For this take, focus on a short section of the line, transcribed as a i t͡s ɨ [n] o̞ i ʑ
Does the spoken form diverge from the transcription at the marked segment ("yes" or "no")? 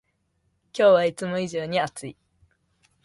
yes